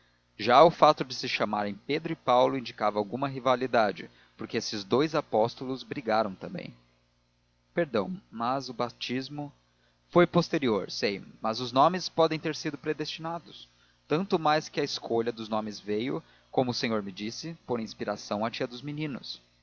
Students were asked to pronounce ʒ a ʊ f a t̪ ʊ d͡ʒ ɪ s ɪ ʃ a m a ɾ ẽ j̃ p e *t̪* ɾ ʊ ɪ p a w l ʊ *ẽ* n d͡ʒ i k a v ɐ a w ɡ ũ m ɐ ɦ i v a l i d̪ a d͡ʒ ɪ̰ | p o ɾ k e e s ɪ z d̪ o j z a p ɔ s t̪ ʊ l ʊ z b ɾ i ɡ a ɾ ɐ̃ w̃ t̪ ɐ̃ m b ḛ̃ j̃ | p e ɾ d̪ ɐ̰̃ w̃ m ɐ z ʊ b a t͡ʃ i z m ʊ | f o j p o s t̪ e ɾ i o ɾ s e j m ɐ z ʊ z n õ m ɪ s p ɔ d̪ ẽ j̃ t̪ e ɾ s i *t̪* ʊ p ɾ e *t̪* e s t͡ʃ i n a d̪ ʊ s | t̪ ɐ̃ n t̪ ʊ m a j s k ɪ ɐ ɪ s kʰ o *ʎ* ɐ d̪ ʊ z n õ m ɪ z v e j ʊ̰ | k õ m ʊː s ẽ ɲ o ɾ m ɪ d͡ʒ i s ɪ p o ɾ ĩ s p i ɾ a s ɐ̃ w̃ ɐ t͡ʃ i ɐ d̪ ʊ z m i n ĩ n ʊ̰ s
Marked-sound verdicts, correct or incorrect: incorrect: d̪, incorrect: ĩ, incorrect: d̪, incorrect: d̪, correct

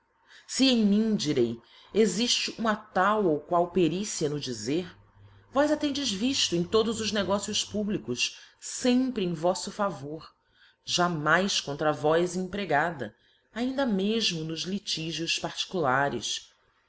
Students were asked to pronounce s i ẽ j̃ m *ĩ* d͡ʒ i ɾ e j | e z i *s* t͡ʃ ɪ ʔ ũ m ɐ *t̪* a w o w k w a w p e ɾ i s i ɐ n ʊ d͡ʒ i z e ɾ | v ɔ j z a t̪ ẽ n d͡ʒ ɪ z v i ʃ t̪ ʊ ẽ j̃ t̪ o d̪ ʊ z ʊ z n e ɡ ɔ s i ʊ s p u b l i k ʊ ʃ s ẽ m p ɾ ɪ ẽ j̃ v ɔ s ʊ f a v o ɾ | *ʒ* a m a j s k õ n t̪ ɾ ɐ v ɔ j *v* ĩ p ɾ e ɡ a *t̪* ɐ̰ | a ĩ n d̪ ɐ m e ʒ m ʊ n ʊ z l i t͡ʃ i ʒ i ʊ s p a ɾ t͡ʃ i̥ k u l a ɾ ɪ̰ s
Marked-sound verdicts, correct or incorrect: correct, incorrect: ʃ, correct, correct, incorrect: z, incorrect: d̪

